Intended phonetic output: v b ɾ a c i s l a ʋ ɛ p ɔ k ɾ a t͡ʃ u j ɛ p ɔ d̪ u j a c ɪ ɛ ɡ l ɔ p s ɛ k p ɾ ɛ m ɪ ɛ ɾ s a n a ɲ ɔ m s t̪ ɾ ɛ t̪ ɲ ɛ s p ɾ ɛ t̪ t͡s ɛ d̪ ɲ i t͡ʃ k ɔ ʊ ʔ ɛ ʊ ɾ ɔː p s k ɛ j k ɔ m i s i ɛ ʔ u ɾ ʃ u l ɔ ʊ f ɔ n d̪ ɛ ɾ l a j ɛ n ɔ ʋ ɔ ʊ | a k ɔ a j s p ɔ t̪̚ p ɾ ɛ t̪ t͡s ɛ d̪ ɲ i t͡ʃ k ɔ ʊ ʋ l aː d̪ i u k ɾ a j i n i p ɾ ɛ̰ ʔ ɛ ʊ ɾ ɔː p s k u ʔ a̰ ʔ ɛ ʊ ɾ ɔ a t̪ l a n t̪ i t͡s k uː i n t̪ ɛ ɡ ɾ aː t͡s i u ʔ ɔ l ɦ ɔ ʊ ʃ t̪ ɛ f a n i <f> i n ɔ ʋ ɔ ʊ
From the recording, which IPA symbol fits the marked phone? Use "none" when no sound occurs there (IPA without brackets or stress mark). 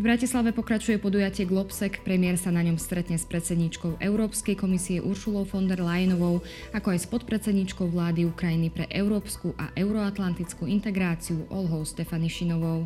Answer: ʃ